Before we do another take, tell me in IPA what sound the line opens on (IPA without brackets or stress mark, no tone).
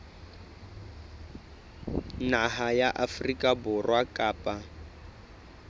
n